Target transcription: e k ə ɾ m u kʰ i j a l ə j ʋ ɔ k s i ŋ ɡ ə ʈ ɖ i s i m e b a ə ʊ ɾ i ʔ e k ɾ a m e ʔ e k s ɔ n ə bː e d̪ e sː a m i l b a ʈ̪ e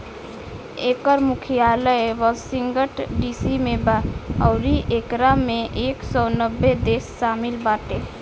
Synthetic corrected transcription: e k ə ɾ m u kʰ i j a l ə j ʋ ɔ s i ŋ ɡ ə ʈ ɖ i s i m e b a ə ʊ ɾ i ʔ e k ɾ a m e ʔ e k s ɔ n ə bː e d̪ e sː a m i l b a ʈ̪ e